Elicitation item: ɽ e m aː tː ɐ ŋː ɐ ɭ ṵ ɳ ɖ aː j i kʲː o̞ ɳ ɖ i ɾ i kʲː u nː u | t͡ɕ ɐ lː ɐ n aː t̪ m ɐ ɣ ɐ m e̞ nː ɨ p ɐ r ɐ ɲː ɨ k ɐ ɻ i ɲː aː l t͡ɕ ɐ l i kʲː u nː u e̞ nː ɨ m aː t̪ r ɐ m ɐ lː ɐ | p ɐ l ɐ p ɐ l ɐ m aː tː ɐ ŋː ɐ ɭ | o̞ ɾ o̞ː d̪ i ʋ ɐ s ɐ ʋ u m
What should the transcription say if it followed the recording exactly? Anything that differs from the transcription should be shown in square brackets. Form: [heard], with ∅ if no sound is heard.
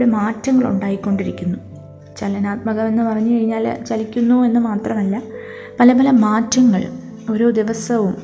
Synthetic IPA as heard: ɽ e m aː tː ɐ ŋː ɐ ɭ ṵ ɳ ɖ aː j i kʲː o̞ ɳ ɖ i ɾ i kʲː u nː u | t͡ɕ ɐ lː ɐ n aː t̪ m ɐ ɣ ɐ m e̞ nː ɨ p ɐ r ɐ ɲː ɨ k ɐ ɻ i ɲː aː l t͡ɕ ɐ l i kʲː u nː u e̞ nː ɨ m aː t̪ r ɐ m ɐ lː ɐ | p ɐ l ɐ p ɐ l ɐ m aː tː ɐ ŋː ɐ ɭ | o̞ ɾ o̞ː d̪ i ʋ ɐ s ɐ ʋ u m